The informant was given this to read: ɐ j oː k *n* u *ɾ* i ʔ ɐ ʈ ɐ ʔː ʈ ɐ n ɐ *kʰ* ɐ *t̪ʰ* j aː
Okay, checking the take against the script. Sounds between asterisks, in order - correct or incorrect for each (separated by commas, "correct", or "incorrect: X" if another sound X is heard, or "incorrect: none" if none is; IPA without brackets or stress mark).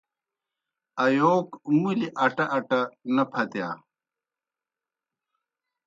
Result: incorrect: m, incorrect: l, incorrect: pʰ, incorrect: t̪